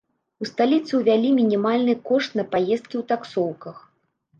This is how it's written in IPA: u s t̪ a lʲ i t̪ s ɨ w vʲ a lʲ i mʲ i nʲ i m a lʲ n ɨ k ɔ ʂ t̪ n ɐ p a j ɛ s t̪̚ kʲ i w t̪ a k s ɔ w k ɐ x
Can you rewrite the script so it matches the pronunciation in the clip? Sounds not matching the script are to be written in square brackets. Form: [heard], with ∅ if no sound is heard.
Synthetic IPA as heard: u s t̪ a lʲ i t̪ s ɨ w vʲ a lʲ i mʲ i nʲ i m a lʲ n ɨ k ɔ ʂ t̪ n ɐ p a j ɛ s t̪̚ kʲ i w t̪ a k s ɔ w k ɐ x

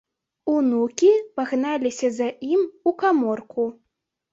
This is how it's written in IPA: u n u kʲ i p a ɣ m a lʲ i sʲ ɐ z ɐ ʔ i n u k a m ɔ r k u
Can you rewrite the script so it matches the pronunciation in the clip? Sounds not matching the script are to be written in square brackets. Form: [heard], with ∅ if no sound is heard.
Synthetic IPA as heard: u n u kʲ i p a ɣ [n] a lʲ i sʲ ɐ z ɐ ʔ i [m] u k a m ɔ r k u

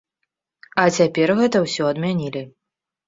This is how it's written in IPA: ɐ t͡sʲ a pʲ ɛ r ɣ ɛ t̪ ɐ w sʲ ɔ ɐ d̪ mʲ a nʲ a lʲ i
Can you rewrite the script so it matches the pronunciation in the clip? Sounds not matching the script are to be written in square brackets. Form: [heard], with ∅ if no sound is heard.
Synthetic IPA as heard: ɐ t͡sʲ a pʲ ɛ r ɣ ɛ t̪ ɐ w sʲ ɔ ɐ d̪ mʲ a nʲ [i] lʲ i

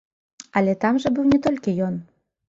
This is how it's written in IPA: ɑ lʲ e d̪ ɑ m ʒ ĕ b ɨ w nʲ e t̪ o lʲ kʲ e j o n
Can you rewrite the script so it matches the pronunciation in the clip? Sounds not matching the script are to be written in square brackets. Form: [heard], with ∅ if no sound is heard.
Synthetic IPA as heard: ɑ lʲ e [t̪] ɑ m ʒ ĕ b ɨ w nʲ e t̪ o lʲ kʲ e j o n

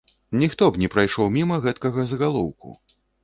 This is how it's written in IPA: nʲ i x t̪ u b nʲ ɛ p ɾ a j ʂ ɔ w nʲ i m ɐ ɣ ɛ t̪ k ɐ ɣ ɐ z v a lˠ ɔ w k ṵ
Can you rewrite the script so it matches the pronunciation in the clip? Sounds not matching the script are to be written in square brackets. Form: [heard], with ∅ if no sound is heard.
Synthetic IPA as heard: nʲ i x t̪ [ɔ] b nʲ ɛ p ɾ a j ʂ ɔ w [mʲ] i m ɐ ɣ ɛ t̪ k ɐ ɣ ɐ z [ɣ] a lˠ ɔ w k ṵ

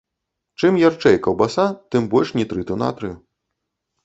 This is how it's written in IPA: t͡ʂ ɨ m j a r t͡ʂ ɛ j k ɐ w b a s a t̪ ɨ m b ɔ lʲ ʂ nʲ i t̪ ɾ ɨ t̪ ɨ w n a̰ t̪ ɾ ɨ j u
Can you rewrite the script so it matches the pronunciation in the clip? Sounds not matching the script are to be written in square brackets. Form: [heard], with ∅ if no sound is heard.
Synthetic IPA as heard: t͡ʂ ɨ m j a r t͡ʂ ɛ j k ɐ w b a s a t̪ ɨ m b ɔ lʲ ʂ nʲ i t̪ ɾ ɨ t̪ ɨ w n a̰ t̪ ɾ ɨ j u

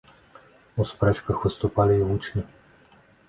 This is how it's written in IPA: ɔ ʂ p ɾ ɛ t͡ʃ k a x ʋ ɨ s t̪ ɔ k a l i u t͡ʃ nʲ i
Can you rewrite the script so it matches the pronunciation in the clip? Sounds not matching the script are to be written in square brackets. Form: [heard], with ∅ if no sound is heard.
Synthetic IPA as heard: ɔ [s] p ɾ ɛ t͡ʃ k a x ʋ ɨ s t̪ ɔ [p] a l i u t͡ʃ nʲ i

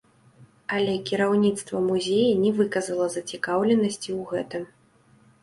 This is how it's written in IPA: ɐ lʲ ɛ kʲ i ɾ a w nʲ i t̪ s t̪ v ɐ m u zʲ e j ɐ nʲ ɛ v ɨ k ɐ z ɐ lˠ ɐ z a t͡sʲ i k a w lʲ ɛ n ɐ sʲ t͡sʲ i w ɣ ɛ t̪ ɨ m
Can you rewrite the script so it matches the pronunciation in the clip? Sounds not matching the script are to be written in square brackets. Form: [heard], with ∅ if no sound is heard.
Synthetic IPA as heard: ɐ lʲ ɛ kʲ i ɾ a w nʲ i t̪ s t̪ v ɐ m u zʲ e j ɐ nʲ ɛ v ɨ k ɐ z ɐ lˠ ɐ z [ɐ] t͡sʲ i k a w lʲ ɛ n ɐ sʲ t͡sʲ i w ɣ ɛ t̪ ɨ m

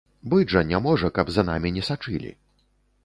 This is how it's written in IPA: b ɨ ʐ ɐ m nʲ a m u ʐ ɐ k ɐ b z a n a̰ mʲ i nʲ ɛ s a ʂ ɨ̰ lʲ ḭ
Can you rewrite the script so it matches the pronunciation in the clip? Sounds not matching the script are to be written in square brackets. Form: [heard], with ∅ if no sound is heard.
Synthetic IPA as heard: b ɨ ʐ ɐ [∅] nʲ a m [ɔ] ʐ ɐ k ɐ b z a n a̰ mʲ i nʲ ɛ s a [t͡ʂ] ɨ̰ lʲ ḭ

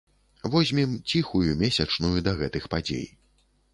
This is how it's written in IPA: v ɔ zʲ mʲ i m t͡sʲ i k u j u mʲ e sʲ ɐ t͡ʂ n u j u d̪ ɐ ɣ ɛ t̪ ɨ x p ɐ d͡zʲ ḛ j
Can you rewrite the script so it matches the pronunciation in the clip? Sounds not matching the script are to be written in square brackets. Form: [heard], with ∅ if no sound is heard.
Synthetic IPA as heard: v ɔ zʲ mʲ i m t͡sʲ i [x] u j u mʲ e sʲ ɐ t͡ʂ n u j u d̪ ɐ ɣ ɛ t̪ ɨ x p [a] d͡zʲ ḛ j

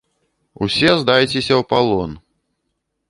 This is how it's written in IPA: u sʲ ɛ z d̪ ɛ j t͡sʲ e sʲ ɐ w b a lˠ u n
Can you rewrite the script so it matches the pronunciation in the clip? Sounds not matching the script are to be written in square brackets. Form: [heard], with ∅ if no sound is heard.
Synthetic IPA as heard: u sʲ ɛ z d̪ [a] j t͡sʲ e sʲ ɐ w [p] a lˠ [ɔ] n

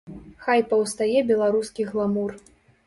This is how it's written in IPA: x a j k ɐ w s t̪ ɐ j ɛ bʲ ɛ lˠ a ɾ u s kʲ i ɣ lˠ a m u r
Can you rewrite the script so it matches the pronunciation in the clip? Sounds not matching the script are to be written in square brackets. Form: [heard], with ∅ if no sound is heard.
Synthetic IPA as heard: x a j [p] ɐ w s t̪ [a] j ɛ bʲ ɛ lˠ a ɾ u s kʲ i ɣ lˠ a m u r

